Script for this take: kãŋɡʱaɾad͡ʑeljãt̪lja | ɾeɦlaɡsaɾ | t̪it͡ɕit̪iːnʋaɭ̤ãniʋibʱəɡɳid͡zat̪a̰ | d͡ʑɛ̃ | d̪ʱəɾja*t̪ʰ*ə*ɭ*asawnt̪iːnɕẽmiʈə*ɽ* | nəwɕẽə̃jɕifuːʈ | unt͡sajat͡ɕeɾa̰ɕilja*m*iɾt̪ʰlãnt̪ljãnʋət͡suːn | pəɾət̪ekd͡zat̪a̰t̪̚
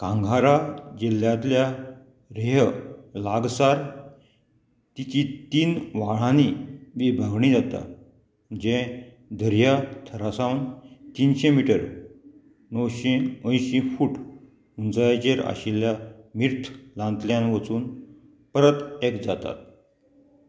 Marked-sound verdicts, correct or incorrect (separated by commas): correct, incorrect, incorrect, correct